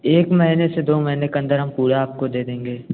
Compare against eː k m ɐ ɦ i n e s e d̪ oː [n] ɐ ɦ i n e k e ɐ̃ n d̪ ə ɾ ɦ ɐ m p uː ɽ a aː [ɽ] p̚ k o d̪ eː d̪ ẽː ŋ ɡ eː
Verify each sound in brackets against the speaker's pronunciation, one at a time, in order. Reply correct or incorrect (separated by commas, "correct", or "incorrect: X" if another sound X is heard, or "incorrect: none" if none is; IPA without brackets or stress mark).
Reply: incorrect: m, incorrect: none